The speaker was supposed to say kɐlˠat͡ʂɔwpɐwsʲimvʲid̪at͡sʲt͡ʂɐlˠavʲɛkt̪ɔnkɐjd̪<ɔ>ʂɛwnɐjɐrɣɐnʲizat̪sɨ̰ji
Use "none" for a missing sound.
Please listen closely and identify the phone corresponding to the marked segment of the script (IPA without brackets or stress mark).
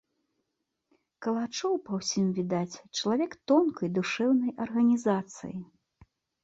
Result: u